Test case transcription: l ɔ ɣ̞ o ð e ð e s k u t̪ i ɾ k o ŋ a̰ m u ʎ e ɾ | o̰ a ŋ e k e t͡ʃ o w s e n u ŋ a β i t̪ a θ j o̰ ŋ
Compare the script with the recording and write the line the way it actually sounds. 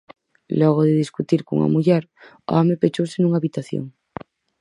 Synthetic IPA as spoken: l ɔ ɣ̞ o ð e ð i s k u t̪ i ɾ k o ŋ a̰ m u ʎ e ɾ | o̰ a m e p e t͡ʃ o w s e n u ŋ a β i t̪ a θ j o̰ ŋ